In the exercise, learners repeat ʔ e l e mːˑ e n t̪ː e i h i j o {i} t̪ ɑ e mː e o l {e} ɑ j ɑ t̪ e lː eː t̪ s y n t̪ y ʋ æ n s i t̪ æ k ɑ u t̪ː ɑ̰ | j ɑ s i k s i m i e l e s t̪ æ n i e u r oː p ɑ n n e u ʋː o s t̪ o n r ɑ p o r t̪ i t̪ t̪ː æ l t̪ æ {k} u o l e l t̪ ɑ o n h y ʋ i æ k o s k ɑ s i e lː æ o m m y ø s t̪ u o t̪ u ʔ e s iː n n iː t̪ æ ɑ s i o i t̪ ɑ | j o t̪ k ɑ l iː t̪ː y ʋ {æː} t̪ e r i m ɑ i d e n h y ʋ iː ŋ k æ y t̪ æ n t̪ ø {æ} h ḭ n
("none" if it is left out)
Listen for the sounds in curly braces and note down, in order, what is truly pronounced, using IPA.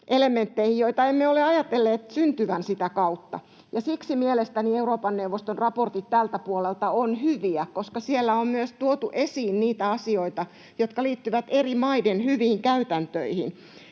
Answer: i, e, p, æ, i

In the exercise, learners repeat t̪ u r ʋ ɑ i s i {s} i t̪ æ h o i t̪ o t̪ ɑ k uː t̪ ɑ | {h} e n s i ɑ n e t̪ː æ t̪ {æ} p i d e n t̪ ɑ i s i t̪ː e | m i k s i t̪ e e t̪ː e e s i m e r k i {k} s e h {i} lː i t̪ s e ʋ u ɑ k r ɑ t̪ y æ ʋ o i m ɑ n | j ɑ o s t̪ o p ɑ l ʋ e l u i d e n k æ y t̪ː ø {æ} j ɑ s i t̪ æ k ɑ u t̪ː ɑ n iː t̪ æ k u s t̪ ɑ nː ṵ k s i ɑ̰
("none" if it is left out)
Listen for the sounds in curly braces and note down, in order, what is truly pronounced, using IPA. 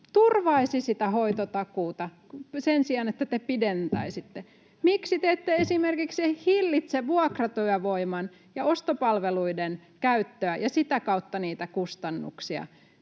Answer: s, s, e, k, i, æ

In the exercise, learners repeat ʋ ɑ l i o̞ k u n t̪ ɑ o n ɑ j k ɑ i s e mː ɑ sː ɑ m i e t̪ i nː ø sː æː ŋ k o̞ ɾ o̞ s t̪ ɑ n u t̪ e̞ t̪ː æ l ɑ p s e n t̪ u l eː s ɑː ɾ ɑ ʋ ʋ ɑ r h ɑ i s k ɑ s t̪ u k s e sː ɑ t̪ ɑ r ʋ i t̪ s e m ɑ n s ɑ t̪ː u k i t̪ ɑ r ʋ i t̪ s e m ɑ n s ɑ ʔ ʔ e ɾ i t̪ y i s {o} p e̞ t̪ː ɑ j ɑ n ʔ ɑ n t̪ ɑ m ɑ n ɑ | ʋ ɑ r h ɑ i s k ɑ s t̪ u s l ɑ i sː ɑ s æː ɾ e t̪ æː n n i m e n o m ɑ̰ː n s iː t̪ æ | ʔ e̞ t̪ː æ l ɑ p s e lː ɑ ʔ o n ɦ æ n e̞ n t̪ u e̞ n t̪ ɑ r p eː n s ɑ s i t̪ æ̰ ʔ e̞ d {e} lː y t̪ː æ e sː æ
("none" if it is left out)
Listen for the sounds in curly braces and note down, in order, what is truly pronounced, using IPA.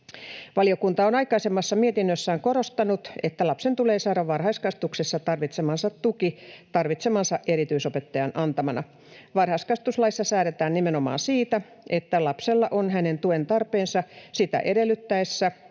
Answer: o, e

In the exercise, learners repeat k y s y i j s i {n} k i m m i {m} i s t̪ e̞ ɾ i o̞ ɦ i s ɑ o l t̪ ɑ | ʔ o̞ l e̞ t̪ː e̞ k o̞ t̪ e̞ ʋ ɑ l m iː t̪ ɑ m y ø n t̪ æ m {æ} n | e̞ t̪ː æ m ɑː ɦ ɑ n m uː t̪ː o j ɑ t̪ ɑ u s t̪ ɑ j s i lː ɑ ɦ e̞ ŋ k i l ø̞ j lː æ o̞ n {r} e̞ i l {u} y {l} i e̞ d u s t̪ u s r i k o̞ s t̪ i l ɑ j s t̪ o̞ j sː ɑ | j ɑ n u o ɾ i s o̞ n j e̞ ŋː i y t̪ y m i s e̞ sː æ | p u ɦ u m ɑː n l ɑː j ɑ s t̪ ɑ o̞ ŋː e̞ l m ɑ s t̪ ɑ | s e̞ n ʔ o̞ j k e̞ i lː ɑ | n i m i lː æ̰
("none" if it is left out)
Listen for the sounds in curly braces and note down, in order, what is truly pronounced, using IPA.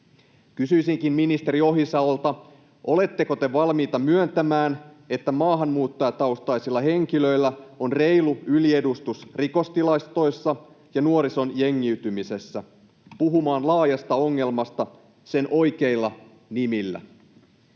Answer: ŋ, n, æː, r, u, l

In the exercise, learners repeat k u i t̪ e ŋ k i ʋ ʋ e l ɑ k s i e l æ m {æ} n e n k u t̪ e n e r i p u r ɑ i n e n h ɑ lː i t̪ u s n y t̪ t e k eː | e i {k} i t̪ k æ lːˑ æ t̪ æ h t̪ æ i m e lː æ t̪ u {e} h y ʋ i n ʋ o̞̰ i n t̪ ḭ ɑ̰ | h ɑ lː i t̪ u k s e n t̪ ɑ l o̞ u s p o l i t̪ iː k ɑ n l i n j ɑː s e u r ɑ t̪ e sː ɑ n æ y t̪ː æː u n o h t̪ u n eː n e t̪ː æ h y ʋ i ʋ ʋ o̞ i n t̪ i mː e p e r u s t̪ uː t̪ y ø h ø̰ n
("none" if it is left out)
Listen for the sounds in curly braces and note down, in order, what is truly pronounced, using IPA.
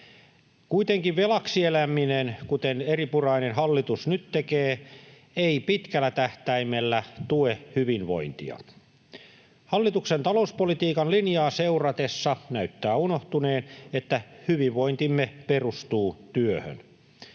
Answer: i, p, e

